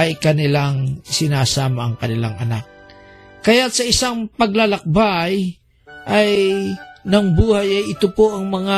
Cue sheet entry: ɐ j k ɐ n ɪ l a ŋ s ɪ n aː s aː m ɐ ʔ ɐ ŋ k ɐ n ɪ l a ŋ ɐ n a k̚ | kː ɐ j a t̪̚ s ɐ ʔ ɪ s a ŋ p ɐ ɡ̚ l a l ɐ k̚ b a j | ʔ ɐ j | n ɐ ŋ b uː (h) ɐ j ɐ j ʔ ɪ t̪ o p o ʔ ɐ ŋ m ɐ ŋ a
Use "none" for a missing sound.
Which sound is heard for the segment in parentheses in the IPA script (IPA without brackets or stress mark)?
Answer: h